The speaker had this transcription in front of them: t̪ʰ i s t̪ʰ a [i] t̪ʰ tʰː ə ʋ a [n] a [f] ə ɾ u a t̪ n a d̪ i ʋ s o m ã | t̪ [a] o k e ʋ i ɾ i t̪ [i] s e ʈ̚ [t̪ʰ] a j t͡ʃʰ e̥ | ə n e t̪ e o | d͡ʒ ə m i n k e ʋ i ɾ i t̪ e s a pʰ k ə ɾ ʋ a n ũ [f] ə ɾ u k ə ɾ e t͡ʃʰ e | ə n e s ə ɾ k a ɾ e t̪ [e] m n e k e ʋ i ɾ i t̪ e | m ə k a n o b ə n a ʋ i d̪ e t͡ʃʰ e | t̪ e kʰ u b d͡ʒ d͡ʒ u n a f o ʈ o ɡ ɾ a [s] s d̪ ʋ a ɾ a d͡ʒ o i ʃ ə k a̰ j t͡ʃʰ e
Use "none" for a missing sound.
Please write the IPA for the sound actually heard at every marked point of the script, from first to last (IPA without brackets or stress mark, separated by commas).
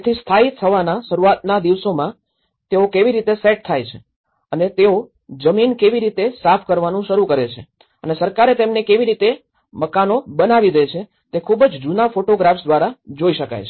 i, n, ʃ, e, e, t̪ʰ, ʃ, e, f